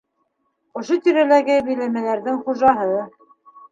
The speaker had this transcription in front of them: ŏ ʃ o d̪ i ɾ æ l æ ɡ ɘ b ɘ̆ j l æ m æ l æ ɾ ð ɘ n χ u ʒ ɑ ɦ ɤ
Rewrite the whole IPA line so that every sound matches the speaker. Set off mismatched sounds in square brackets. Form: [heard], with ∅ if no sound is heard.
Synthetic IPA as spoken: ŏ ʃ o [t̪] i ɾ æ l æ ɡ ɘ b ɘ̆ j l æ m æ l æ ɾ ð ɘ [ŋ] χ u ʒ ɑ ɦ ɤ